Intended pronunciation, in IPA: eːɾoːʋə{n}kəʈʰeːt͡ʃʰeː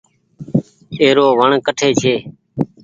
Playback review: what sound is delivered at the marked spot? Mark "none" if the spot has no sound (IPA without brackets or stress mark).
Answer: ɳ